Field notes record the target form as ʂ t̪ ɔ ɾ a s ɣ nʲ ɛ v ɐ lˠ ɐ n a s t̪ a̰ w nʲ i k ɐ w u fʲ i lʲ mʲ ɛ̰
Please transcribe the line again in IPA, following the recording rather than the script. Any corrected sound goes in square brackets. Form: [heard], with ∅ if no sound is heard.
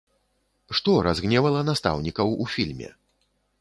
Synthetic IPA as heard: ʂ t̪ ɔ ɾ a [z] ɣ nʲ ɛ v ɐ lˠ ɐ n a s t̪ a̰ w nʲ i k ɐ w u fʲ i lʲ mʲ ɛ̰

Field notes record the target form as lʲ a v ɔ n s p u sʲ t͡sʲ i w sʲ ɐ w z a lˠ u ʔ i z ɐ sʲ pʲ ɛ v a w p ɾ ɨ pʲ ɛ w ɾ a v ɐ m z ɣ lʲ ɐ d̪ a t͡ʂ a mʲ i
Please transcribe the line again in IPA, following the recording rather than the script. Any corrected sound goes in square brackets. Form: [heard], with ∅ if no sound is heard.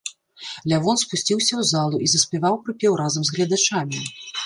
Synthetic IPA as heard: lʲ a v ɔ n s p u sʲ t͡sʲ i w sʲ ɐ w z a lˠ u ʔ i z ɐ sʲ pʲ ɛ v a w p ɾ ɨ pʲ ɛ w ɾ a [z] ɐ m z ɣ lʲ ɐ d̪ a t͡ʂ a mʲ i

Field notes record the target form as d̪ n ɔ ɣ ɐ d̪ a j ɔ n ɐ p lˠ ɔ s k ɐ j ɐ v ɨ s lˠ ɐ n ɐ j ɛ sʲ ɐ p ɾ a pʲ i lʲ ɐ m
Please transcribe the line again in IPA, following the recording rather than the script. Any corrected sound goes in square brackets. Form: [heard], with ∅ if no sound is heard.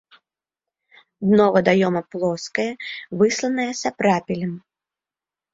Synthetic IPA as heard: d̪ n ɔ [v] ɐ d̪ a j ɔ [m] ɐ p lˠ ɔ s k ɐ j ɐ v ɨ s lˠ ɐ n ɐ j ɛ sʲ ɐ p ɾ a pʲ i lʲ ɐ m

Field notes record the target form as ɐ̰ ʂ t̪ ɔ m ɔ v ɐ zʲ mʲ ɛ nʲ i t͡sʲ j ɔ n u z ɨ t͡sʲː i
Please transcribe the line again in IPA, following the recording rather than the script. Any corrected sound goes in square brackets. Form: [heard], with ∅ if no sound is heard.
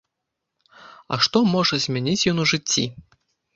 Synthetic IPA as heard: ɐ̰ ʂ t̪ ɔ m ɔ [ʐ] ɐ zʲ mʲ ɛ nʲ i t͡sʲ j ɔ n u [ʐ] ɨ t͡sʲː i

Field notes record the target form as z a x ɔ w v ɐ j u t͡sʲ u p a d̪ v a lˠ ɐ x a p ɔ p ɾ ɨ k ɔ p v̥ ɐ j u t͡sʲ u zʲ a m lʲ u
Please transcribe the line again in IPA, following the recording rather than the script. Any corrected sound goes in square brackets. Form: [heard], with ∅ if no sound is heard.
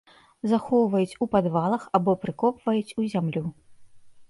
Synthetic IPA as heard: z a x ɔ w v ɐ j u t͡sʲ u p a d̪ v a lˠ ɐ x a [b] ɔ p ɾ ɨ k ɔ p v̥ ɐ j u t͡sʲ u zʲ a m lʲ u

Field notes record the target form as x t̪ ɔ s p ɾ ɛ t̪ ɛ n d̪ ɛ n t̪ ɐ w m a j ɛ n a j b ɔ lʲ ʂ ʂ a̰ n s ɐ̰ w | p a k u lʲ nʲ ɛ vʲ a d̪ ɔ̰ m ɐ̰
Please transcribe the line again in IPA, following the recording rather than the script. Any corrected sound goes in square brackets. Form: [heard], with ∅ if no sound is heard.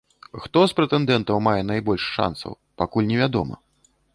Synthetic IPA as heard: x t̪ ɔ s p ɾ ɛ t̪ ɛ n d̪ ɛ n t̪ ɐ w m a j ɛ n a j b ɔ lʲ ʂ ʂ a̰ n s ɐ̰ w | p a k u lʲ nʲ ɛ vʲ a d̪ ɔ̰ m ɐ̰

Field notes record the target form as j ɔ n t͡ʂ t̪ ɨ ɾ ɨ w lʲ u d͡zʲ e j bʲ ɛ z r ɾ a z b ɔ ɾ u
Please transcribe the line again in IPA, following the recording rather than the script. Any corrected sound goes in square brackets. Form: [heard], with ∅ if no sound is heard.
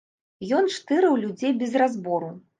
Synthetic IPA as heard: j ɔ n t͡ʂ t̪ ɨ ɾ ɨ w lʲ u d͡zʲ e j bʲ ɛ z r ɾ a z b ɔ ɾ u

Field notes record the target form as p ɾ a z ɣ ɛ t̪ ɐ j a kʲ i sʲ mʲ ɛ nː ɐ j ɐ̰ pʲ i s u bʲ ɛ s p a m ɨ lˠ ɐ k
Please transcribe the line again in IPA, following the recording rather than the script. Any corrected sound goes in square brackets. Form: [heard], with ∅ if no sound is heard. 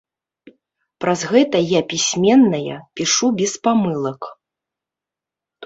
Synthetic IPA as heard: p ɾ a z ɣ ɛ t̪ ɐ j a [pʲ] i sʲ mʲ ɛ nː ɐ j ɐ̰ pʲ i [ʂ] u bʲ ɛ s p a m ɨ lˠ ɐ k

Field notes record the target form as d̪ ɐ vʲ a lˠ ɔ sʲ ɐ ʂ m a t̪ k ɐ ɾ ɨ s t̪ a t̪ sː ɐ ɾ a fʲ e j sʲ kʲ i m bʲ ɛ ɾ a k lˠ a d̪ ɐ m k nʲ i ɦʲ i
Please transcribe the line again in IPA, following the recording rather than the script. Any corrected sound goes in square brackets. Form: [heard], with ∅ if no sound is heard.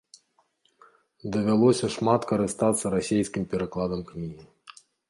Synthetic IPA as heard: d̪ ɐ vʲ a lˠ ɔ sʲ ɐ ʂ m a t̪ k ɐ ɾ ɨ s t̪ a t̪ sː ɐ ɾ a [sʲ] e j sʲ kʲ i m [pʲ] ɛ ɾ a k lˠ a d̪ ɐ m k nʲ i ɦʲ i

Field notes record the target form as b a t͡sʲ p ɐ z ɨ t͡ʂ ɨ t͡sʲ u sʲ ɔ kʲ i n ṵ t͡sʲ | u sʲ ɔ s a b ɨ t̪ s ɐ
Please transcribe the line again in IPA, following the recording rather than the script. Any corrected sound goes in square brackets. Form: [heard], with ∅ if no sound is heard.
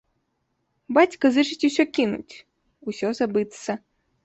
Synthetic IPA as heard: b a t͡sʲ [k] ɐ z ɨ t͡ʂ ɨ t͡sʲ u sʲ ɔ kʲ i n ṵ t͡sʲ | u sʲ ɔ [z] a b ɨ t̪ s ɐ

